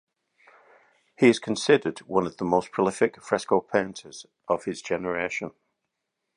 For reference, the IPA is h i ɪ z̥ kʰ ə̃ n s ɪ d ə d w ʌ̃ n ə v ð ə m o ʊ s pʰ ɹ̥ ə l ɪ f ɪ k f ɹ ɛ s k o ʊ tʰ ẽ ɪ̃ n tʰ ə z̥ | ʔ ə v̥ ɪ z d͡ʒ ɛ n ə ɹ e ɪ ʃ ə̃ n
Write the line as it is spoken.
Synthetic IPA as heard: h i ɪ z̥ kʰ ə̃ n s ɪ d ə d w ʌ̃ n ə v ð ə m o ʊ s pʰ ɹ̥ ə l ɪ f ɪ k f ɹ ɛ s k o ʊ pʰ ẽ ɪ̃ n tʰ ə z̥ | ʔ ə v̥ ɪ z d͡ʒ ɛ n ə ɹ e ɪ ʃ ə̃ n